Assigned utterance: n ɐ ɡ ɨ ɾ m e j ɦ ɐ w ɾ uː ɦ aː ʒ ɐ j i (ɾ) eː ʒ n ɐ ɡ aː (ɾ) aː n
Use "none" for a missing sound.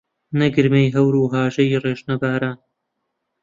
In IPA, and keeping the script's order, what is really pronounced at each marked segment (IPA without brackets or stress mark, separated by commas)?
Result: r, ɾ